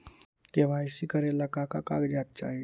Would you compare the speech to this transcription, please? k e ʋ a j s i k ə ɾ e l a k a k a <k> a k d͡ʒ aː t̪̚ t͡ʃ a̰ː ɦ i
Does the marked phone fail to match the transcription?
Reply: no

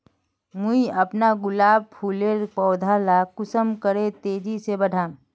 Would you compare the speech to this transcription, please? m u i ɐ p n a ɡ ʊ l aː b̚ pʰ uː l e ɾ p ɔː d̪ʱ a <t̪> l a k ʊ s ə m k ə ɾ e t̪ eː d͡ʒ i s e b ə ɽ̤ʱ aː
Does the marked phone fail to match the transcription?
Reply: yes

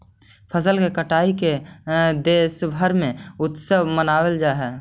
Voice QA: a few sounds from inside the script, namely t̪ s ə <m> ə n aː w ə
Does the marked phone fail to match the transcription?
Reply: no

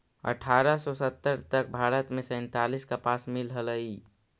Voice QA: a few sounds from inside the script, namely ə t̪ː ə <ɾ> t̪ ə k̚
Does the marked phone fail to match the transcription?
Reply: no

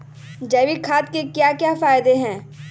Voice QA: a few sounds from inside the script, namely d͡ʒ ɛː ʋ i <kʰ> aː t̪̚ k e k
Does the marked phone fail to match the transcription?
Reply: no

